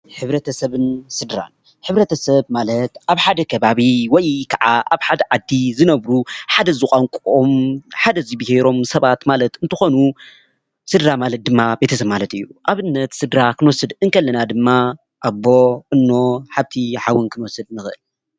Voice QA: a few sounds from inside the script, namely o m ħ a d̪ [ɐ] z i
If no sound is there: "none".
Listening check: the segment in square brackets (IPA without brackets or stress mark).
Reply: ɐ